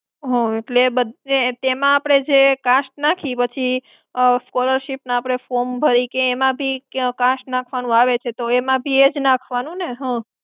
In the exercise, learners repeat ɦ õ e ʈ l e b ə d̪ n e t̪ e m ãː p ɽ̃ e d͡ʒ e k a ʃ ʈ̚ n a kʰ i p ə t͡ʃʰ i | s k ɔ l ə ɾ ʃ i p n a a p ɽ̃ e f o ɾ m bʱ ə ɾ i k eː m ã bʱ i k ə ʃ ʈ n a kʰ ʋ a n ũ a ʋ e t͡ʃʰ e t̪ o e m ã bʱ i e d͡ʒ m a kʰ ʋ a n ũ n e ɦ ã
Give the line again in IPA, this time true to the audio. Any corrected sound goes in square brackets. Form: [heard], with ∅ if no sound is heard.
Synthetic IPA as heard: ɦ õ e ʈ l e b ə d̪ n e t̪ e m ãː p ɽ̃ e d͡ʒ e k a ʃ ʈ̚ n a kʰ i p ə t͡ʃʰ i | s k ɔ l ə ɾ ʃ i p n a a p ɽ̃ e f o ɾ m bʱ ə ɾ i k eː m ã bʱ i k [a] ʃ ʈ n a kʰ ʋ a n ũ a ʋ e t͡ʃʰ e t̪ o e m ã bʱ i e d͡ʒ [n] a kʰ ʋ a n ũ n e ɦ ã

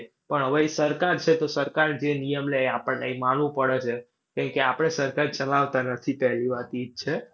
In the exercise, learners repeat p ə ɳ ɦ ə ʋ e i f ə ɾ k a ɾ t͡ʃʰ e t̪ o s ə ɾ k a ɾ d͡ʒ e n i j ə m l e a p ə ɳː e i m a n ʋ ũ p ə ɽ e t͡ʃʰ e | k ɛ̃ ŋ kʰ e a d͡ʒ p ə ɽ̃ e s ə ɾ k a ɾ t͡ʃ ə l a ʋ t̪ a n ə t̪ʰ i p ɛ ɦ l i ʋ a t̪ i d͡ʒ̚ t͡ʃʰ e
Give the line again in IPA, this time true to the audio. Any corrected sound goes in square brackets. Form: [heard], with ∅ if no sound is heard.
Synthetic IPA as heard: p ə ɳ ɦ ə ʋ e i [s] ə ɾ k a ɾ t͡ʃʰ e t̪ o s ə ɾ k a ɾ d͡ʒ e n i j ə m l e a p ə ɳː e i m a n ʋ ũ p ə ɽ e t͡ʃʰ e | k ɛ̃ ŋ [k] e a [∅] p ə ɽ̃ e s ə ɾ k a ɾ t͡ʃ ə l a ʋ t̪ a n ə t̪ʰ i p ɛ ɦ l i ʋ a t̪ i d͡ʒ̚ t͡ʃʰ e

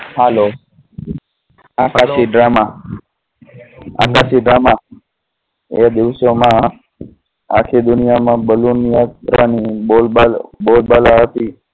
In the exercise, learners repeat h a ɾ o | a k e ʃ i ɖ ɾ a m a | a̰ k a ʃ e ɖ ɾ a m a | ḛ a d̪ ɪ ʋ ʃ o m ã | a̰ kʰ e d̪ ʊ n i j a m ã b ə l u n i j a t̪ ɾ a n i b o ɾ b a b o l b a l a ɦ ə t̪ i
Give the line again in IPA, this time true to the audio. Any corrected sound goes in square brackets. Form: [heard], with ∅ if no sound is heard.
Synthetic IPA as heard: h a [l] o | a k [a] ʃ i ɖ ɾ a m a | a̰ k a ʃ [i] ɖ ɾ a m a | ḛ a d̪ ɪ ʋ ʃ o m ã | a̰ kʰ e d̪ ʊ n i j a m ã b ə l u n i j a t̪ ɾ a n i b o [l] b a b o l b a l a ɦ ə t̪ i

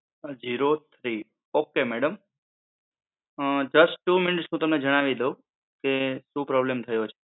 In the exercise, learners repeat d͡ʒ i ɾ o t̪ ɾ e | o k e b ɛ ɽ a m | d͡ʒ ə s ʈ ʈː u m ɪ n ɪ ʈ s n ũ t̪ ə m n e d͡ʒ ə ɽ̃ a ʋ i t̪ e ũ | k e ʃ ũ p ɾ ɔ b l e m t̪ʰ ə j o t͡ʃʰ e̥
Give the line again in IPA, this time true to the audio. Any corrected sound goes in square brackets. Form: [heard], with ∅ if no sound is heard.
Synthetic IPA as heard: d͡ʒ i ɾ o [t̪ʰ] ɾ [i] | o k e [m] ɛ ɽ [ə] m | d͡ʒ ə s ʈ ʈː u m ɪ n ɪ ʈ s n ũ t̪ ə m n e d͡ʒ ə ɽ̃ a ʋ i [d̪] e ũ | k e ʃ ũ p ɾ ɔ b l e m t̪ʰ ə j o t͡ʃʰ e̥

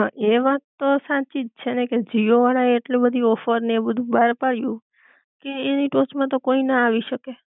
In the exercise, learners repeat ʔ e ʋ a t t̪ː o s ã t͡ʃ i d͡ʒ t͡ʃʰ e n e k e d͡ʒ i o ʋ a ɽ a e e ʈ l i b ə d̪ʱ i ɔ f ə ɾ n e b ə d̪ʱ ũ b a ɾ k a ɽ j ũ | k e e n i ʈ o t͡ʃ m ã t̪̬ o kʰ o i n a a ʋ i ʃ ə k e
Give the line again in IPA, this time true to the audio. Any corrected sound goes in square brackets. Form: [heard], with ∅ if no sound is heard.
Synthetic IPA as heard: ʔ e ʋ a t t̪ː o s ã t͡ʃ i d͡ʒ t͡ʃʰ e n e k e d͡ʒ i o ʋ a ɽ a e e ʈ l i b ə d̪ʱ i ɔ f ə ɾ n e b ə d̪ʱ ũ b a ɾ [p] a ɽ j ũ | k e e n i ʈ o t͡ʃ m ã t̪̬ o [k] o i n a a ʋ i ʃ ə k e

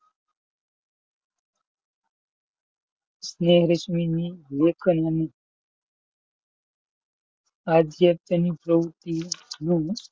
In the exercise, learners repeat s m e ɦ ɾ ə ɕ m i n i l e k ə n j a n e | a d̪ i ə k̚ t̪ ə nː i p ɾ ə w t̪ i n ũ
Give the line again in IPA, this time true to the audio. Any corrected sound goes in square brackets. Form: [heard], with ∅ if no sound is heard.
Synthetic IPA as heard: s [n] e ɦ ɾ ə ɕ m i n i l e [kʰ] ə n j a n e | a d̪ [j] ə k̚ t̪ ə [n] i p ɾ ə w t̪ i n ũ

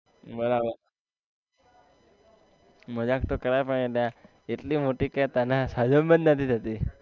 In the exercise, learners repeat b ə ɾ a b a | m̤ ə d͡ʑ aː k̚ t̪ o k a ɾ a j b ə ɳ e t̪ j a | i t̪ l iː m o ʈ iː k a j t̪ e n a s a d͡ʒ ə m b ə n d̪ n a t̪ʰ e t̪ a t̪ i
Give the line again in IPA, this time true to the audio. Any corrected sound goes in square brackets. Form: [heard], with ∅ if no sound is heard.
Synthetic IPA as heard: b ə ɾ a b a | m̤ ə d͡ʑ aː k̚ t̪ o k [ə] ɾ a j [p] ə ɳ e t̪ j a | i t̪ l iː m o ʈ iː k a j t̪ [a] n a s a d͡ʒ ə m b ə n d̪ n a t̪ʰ [i] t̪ a t̪ i

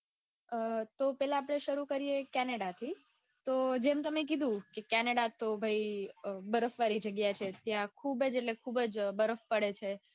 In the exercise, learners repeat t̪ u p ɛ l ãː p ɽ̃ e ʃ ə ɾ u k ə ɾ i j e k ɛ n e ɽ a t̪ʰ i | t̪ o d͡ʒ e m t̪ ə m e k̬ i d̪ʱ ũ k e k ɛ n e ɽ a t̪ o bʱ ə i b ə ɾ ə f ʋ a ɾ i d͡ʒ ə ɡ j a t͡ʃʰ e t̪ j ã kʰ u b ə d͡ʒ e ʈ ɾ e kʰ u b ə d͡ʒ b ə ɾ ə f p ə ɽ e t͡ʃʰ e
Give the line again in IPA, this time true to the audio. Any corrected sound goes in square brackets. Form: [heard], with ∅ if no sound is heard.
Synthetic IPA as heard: t̪ [o] p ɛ l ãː p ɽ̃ e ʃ ə ɾ u k ə ɾ i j e k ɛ n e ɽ a t̪ʰ i | t̪ o d͡ʒ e m t̪ ə m e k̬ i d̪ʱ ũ k e k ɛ n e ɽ a t̪ o bʱ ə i b ə ɾ ə f ʋ a ɾ i d͡ʒ ə ɡ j a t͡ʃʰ e t̪ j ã kʰ u b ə d͡ʒ e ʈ [l] e kʰ u b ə d͡ʒ b ə ɾ ə f p ə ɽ e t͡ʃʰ e

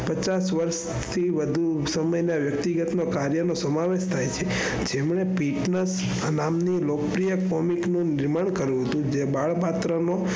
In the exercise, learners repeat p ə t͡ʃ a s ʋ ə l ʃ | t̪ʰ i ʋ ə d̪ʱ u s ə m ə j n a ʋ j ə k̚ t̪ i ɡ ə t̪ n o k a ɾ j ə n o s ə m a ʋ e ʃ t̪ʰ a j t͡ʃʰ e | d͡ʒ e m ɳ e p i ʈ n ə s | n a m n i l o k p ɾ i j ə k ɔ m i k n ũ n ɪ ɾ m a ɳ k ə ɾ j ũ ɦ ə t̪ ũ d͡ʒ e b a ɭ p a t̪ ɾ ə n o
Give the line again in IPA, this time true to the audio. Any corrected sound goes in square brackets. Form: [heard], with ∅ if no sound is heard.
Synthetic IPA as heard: p ə t͡ʃ a s ʋ ə [ɾ] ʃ | t̪ʰ i ʋ ə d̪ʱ u s ə m ə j n a ʋ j ə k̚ t̪ i ɡ ə t̪ n o k a ɾ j ə n o s ə m a ʋ e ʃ t̪ʰ a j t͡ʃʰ e | d͡ʒ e m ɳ e p i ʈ n ə s | n a m n i l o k p ɾ i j ə k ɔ m i k n ũ n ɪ ɾ m a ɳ k ə ɾ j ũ ɦ ə t̪ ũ d͡ʒ e b a ɭ p a t̪ ɾ ə n o

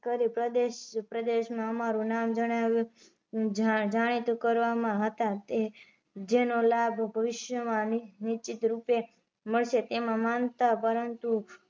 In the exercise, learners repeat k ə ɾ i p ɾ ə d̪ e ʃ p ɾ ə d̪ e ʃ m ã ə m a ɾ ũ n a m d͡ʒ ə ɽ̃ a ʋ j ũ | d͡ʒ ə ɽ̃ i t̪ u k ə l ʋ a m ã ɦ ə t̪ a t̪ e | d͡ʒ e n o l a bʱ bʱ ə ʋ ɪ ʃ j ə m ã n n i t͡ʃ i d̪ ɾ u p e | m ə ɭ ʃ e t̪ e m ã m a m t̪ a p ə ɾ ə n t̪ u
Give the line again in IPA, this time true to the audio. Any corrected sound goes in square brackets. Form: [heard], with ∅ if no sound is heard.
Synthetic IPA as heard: k ə ɾ i p ɾ ə d̪ e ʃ p ɾ ə d̪ e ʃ m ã ə m a ɾ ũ n a m d͡ʒ ə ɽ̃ a ʋ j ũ | d͡ʒ [a] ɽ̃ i t̪ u k ə [ɾ] ʋ a m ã ɦ ə t̪ a t̪ e | d͡ʒ e n o l a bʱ bʱ ə ʋ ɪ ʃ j ə m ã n n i t͡ʃ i [t̪] ɾ u p e | m ə ɭ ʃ e t̪ e m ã m a [n] t̪ a p ə ɾ ə n t̪ u

